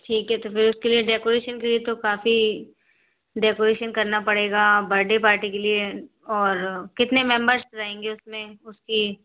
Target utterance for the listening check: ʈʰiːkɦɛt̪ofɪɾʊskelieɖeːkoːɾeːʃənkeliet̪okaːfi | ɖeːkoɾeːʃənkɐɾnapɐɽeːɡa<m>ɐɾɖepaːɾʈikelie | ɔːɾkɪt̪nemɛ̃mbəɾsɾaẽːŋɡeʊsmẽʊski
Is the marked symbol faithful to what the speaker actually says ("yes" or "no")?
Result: no